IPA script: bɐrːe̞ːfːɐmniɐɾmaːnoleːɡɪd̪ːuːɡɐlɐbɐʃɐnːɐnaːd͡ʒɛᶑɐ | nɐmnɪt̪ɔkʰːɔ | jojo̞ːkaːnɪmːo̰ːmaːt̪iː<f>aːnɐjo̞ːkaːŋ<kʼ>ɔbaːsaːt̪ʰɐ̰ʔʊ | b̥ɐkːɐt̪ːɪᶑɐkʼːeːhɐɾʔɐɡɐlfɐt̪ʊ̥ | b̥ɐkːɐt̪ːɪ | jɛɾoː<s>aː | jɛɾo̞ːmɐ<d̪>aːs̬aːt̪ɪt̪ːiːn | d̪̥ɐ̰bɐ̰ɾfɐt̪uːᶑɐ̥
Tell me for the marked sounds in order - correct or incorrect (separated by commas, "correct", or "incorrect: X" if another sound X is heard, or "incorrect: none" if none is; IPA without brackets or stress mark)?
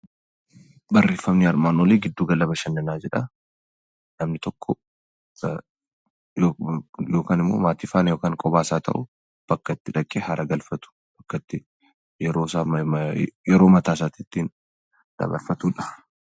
correct, correct, correct, incorrect: t̪